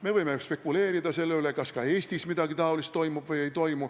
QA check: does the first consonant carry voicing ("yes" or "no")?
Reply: yes